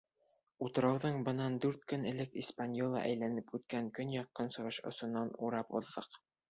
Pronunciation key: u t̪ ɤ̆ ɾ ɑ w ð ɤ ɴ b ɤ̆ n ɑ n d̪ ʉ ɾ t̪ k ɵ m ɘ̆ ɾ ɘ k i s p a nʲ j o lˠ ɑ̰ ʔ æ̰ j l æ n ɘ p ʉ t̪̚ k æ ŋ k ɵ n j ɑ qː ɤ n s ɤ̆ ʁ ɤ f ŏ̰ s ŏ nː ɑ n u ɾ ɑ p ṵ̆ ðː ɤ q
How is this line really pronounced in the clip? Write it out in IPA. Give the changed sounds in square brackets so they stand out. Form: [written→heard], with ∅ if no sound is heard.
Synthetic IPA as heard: u t̪ ɤ̆ ɾ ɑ w ð ɤ ɴ b ɤ̆ n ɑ n d̪ ʉ ɾ t̪ k ɵ [m→n] ɘ̆ [ɾ→l] ɘ k i s p a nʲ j o lˠ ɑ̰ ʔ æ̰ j l æ n ɘ p ʉ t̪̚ k æ ŋ k ɵ n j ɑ qː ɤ n s ɤ̆ ʁ ɤ [f→ʃ] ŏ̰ s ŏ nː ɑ n u ɾ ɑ p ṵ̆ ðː ɤ q